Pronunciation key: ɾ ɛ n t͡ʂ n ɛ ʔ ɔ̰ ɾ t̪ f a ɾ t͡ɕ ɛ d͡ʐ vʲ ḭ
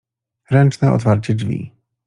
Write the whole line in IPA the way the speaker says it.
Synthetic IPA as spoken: ɾ ɛ n t͡ʂ n ɛ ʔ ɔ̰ t̪ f a ɾ t͡ɕ ɛ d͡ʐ vʲ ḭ